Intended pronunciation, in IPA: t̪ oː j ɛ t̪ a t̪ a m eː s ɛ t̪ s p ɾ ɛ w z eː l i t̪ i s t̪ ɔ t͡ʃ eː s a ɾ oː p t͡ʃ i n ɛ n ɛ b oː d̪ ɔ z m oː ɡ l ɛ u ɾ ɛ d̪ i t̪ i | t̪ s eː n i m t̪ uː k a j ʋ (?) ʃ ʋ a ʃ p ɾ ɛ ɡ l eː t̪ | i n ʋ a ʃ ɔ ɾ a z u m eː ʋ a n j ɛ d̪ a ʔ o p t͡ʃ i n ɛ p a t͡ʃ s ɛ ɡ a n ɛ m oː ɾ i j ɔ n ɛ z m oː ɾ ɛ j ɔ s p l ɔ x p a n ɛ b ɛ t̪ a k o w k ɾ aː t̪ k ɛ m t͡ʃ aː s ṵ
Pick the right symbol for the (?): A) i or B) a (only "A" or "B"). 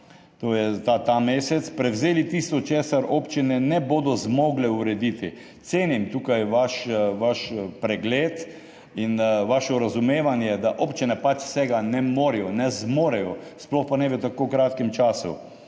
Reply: B